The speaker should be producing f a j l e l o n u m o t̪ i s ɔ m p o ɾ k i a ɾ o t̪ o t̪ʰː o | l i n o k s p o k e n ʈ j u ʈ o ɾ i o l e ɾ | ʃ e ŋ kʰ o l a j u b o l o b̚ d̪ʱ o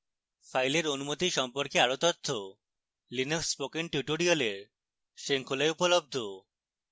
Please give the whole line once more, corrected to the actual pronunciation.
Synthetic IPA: f a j l e ɾ o n u m o t̪ i ʃ ɔ m p o ɾ k e a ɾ o t̪ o t̪ʰː o | l i n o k s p o k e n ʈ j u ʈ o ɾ i o l e ɾ | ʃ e ŋ kʰ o l a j u p o l o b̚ d̪ʱ o